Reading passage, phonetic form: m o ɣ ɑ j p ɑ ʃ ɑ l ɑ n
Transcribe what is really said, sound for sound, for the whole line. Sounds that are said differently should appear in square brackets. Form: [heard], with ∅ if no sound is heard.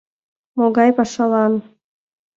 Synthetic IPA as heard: m o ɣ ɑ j p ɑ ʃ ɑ l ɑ n

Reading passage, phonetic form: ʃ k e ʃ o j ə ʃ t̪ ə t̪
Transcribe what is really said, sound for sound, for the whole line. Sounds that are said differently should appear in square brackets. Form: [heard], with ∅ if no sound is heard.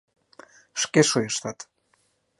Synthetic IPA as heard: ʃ k e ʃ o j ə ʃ t̪ [ɑ] t̪

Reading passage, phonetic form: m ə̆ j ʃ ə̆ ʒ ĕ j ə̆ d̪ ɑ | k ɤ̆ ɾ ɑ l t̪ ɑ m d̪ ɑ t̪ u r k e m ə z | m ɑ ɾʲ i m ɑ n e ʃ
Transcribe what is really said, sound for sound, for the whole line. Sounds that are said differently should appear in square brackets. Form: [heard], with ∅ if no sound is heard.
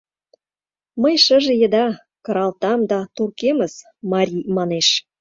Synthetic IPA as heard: m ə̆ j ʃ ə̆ ʒ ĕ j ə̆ d̪ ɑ | k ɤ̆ ɾ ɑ l t̪ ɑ m d̪ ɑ t̪ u r k e m ə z | m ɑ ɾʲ i m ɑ n e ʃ

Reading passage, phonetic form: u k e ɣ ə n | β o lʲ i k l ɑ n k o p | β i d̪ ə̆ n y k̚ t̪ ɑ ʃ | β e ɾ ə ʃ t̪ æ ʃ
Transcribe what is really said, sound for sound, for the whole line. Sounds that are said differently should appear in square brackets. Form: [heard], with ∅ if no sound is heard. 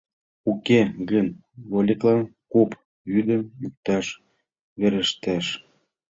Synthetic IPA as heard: u k e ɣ ə n | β o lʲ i k l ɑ n k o p | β [y] d̪ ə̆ [m] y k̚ t̪ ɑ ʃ | β e ɾ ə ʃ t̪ æ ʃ

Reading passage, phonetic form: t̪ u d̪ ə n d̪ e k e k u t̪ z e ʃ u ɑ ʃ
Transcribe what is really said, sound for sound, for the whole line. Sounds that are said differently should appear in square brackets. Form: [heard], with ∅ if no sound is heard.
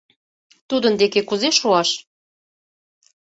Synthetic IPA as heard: t̪ u d̪ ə n d̪ e k e k u [∅] z e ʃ u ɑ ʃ

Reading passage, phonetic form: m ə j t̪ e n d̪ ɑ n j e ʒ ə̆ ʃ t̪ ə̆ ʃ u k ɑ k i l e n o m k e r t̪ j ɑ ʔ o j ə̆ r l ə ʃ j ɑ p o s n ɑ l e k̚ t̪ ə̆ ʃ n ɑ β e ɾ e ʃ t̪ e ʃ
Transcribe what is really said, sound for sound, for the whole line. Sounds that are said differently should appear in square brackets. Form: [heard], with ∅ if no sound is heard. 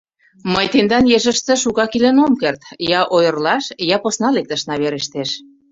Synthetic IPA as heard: m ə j t̪ e n d̪ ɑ n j e ʒ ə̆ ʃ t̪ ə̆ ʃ u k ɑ k i l e n o m k e r t̪ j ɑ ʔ o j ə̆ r l [ɑ] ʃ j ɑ p o s n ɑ l e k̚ t̪ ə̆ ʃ n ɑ β e ɾ e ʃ t̪ e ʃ

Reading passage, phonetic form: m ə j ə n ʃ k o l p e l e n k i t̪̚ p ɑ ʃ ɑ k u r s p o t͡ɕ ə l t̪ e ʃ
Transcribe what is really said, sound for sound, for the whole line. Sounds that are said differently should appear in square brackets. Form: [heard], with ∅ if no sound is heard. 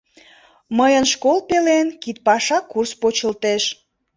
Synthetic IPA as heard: m ə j ə n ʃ k o l p e l e n k i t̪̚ p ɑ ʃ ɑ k u r s p o t͡ɕ ə l t̪ e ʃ

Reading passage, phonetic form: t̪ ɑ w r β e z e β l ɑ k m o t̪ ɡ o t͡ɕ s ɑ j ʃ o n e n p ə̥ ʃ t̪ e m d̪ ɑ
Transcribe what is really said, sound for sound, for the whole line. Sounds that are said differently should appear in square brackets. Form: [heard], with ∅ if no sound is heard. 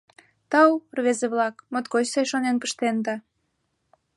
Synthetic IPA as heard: t̪ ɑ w r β e z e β l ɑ k m o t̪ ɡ o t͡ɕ s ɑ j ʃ o n e n p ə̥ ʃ t̪ e [n] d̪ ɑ

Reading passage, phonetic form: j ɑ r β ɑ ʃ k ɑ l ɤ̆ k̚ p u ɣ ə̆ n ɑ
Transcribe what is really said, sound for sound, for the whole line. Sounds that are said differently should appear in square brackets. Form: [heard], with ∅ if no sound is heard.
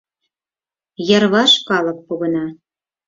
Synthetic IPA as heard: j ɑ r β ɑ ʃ k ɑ l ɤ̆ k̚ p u ɣ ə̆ n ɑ

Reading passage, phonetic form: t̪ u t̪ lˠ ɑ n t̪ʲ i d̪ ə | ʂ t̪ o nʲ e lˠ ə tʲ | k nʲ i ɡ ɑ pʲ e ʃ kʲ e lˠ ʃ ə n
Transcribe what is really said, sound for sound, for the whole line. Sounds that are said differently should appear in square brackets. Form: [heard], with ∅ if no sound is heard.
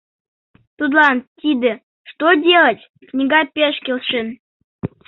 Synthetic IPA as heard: t̪ u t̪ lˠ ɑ n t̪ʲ i d̪ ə | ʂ t̪ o [dʲ] e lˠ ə tʲ | k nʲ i ɡ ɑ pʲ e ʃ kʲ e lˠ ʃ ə n

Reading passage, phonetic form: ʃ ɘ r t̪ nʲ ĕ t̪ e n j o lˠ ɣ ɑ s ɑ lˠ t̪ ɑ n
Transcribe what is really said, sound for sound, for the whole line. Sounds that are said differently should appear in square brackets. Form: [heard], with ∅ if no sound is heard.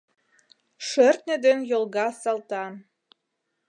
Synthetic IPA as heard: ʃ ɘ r t̪ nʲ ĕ [d̪] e n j o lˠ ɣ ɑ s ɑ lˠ t̪ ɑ n

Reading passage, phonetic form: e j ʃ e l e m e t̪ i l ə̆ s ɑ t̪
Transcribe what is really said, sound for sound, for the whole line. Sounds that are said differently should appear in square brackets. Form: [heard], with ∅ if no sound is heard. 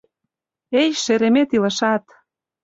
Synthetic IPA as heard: e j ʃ e [ɾ] e m e t̪ i l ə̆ [ʃ] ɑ t̪

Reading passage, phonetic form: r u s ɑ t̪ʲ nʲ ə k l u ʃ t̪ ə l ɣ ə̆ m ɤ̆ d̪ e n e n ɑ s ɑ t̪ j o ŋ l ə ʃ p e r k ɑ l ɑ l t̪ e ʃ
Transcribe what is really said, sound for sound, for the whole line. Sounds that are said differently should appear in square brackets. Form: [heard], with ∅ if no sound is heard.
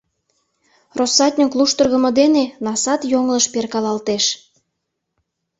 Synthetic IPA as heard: r [o] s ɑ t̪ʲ nʲ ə k l u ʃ t̪ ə [r] ɣ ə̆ m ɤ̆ d̪ e n e n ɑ s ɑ t̪ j o ŋ l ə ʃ p e r k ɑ l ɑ l t̪ e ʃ

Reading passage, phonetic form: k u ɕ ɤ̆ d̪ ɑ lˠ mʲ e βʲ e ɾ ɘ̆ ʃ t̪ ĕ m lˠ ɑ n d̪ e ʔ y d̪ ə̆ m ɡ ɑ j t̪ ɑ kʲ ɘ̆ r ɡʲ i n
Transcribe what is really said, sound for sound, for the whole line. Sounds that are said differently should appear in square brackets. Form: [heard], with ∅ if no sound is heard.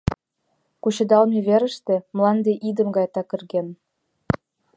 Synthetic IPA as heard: k u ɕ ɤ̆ d̪ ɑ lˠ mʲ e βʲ e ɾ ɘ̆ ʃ t̪ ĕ m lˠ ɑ n d̪ e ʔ [i] d̪ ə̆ m ɡ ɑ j t̪ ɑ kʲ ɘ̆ r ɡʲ [e] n

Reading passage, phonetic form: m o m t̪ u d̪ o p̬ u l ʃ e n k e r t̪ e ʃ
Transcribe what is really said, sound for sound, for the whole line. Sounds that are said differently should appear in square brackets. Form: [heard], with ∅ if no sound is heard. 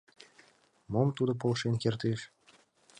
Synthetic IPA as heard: m o m t̪ u d̪ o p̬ [o] l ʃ e n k e r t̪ e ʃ

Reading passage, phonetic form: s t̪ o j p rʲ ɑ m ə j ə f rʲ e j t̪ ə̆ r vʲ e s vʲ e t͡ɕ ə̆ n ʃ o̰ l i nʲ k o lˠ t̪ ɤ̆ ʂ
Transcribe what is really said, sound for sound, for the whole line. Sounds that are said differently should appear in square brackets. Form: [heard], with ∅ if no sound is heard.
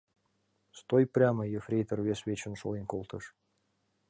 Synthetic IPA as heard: s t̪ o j p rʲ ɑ m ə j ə f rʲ e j t̪ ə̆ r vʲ e s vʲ e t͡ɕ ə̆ n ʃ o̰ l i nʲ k o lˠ t̪ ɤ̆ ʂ

